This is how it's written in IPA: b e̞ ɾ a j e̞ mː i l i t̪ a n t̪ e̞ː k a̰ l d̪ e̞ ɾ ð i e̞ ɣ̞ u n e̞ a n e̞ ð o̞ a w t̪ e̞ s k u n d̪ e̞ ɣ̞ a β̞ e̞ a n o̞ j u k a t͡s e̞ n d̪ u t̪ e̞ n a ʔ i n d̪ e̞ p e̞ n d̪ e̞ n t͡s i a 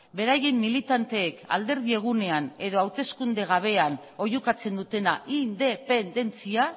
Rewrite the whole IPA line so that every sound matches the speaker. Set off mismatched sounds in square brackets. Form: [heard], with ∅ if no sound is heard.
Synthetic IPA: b e̞ ɾ a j e̞ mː i l i t̪ a n t̪ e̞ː k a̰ l d̪ e̞ ɾ ð i e̞ ɣ̞ u n e̞ a n e̞ ð o̞ a w t̪ e̞ s k u n d̪ e̞ ɣ̞ a β̞ e̞ a n o̞ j u k a t͡s e̞ n d̪ u t̪ e̞ n a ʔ i n d̪ e̞ p e̞ n d̪ e̞ n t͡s i a